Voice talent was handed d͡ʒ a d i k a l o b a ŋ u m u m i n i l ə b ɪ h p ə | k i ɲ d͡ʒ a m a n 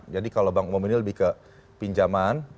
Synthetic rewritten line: d͡ʒ a d i k a l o b a ŋ u m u m i n i l ə b ɪ h k ə | p i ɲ d͡ʒ a m a n